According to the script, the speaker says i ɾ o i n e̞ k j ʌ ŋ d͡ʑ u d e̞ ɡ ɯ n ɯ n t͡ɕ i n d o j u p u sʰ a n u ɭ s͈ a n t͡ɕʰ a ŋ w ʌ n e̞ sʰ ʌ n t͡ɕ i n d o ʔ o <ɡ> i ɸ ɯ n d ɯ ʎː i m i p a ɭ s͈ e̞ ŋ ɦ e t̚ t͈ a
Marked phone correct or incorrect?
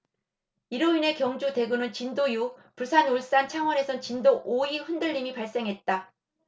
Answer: incorrect